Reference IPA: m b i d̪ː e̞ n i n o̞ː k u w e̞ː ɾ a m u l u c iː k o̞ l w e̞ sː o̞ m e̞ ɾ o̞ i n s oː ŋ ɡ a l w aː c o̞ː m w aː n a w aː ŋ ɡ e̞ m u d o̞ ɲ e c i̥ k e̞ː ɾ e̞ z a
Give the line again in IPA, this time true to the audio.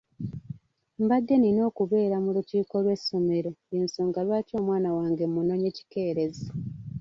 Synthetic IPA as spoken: m b a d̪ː e̞ n i n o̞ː k u β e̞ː ɾ a m u l u c iː k o̞ l w e̞ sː o̞ m e̞ ɾ o̞ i n s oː ŋ ɡ a l w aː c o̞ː m w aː n a w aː ŋ ɡ e̞ m u n o̞ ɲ e c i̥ k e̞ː ɾ e̞ z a